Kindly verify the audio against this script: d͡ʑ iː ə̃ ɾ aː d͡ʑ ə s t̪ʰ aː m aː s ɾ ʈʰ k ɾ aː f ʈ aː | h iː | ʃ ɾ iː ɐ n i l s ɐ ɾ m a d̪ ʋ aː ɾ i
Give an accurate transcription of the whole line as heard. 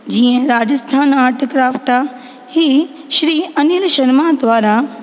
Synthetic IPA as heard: d͡ʑ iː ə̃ ɾ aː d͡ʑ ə s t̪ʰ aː n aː ɾ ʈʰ k ɾ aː f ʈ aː | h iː | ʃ ɾ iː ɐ n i l ʃ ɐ ɾ m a d̪ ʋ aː ɾ a